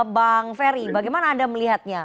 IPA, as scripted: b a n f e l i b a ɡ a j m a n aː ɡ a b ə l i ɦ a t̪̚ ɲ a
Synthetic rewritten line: b a ŋ f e ɾ i b a ɡ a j m a n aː d a m ə l i ɦ a t̪̚ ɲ a

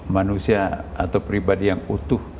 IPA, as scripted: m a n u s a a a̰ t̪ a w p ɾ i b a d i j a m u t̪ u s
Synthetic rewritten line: m a n u s i a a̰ t̪ a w p ɾ i b a d i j a ŋ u t̪ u h

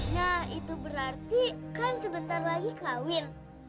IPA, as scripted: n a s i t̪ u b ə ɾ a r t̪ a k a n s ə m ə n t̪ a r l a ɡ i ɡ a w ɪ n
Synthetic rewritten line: n a h i t̪ u b ə ɾ a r t̪ i k a n s ə b ə n t̪ a r l a ɡ i k a w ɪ n

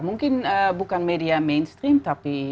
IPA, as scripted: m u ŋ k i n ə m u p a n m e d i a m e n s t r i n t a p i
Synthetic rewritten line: m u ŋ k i n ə b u k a n m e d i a m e n s t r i m t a p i

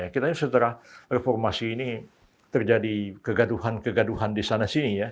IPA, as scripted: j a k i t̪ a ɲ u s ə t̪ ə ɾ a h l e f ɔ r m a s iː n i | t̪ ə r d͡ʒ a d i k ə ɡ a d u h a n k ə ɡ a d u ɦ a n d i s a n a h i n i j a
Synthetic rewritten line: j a k i t̪ a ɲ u s ə t̪ ə ɾ a h r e f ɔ r m a s iː n i | t̪ ə r d͡ʒ a d i k ə ɡ a d u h a n k ə ɡ a d u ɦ a n d i s a n a s i n i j a

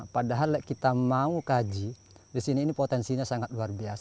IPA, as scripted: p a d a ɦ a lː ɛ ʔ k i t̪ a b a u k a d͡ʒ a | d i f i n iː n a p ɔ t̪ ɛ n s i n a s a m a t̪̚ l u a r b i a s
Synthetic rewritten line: p a d a ɦ a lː ɛ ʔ k i t̪ a m a u k a d͡ʒ i | d i s i n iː n i p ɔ t̪ ɛ n s i ɲ a s a ŋ a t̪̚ l u a r b i a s

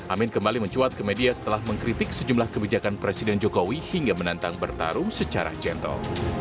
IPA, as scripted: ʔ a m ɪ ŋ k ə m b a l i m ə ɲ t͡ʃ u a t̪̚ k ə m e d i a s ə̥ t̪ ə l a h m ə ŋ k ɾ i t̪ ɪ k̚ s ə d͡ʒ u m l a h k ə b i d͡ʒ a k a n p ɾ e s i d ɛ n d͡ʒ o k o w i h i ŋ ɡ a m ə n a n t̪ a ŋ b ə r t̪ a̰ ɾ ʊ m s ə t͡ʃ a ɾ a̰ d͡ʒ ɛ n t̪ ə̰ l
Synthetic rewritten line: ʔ a m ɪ n k ə m b a l i m ə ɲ t͡ʃ u a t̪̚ k ə m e d i a s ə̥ t̪ ə l a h m ə ŋ k ɾ i t̪ ɪ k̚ s ə d͡ʒ u m l a h k ə b i d͡ʒ a k a n p ɾ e s i d ɛ n d͡ʒ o k o w i h i ŋ ɡ a m ə n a n t̪ a ŋ b ə r t̪ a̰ ɾ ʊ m s ə t͡ʃ a ɾ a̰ d͡ʒ ɛ n t̪ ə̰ l

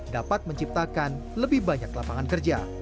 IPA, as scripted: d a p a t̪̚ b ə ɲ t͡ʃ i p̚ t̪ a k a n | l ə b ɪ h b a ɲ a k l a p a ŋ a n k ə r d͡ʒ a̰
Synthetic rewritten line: d a p a t̪̚ m ə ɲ t͡ʃ i p̚ t̪ a k a n | l ə b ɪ h b a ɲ a k l a p a ŋ a n k ə r d͡ʒ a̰

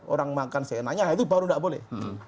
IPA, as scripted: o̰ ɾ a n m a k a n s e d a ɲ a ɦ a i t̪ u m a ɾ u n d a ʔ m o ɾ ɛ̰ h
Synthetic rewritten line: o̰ ɾ a ŋ m a k a n s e n a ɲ a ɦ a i t̪ u b a ɾ u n d a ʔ b o l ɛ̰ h

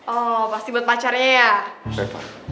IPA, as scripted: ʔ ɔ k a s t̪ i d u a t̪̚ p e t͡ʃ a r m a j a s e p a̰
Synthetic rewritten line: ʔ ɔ p a s t̪ i b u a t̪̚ p a t͡ʃ a r ɲ a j a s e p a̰

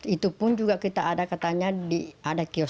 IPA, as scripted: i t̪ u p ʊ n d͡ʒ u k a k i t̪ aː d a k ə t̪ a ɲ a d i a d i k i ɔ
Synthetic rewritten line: i t̪ u p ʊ n d͡ʒ u ɡ a k i t̪ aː d a k a t̪ a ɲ a d i a d a k i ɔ

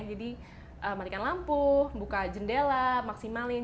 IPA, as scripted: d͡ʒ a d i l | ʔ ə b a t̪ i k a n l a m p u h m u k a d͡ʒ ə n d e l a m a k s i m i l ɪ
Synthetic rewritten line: d͡ʒ a d i | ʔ ə m a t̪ i k a n l a m p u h b u k a d͡ʒ ə n d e l a m a k s i m a l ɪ

